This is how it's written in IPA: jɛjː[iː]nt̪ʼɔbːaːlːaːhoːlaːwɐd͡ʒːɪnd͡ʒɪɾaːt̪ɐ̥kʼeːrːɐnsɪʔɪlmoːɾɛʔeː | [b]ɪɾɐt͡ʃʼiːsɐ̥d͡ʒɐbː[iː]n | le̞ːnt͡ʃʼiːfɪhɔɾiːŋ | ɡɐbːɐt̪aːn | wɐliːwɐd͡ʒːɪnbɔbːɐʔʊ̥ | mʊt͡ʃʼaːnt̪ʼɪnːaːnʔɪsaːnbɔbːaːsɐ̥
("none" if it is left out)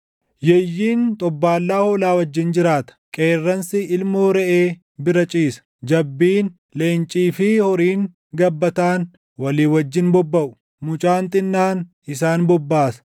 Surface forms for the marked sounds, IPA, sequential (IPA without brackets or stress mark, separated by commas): iː, b, iː